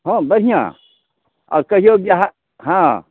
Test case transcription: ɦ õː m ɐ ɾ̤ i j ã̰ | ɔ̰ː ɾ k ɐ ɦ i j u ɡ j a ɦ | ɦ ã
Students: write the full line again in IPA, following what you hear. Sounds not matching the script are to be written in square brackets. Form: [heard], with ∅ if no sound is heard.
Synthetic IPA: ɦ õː [b] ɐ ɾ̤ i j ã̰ | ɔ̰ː ɾ k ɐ ɦ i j [o] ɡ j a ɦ | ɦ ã